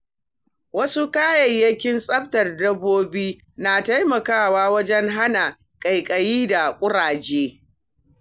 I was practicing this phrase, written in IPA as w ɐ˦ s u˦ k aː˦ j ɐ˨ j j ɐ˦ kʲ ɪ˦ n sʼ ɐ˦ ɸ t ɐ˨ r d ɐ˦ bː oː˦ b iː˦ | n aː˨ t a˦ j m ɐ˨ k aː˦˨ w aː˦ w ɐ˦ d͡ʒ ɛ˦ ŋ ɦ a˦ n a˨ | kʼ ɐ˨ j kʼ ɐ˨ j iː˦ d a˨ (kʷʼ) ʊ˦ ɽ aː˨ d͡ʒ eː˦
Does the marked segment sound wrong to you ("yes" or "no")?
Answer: no